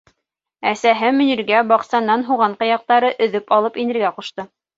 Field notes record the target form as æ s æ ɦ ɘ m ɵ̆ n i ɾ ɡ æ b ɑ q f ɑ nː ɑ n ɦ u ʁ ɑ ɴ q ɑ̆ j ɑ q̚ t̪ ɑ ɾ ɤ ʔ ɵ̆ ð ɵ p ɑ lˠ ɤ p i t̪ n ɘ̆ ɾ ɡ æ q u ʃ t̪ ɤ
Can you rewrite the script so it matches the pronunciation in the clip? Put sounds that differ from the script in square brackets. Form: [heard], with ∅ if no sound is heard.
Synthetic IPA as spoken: æ s æ ɦ ɘ m ɵ̆ n i ɾ ɡ æ b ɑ q [s] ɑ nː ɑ n ɦ u ʁ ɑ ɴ q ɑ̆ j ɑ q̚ t̪ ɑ ɾ ɤ ʔ ɵ̆ ð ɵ p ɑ lˠ ɤ p i [∅] n ɘ̆ ɾ ɡ æ q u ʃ t̪ ɤ